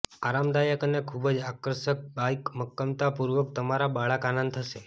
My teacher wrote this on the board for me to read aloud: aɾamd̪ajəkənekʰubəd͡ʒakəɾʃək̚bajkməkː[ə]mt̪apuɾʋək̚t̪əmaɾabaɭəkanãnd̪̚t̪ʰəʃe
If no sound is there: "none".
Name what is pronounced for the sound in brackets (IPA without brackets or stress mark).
ə